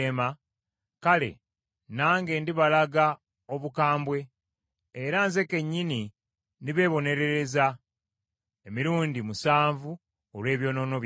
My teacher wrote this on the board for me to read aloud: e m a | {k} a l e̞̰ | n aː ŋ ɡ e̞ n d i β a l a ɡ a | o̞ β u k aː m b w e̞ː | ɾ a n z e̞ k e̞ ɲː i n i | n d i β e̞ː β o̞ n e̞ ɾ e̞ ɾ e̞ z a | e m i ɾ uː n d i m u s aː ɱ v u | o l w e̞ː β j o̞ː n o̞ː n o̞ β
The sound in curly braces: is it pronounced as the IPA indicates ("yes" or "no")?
yes